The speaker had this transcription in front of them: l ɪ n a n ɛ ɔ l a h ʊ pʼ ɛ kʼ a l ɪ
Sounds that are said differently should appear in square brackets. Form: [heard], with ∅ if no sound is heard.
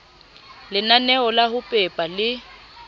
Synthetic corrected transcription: l ɪ n a n ɛ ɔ l a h ʊ pʼ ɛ [pʼ] a l ɪ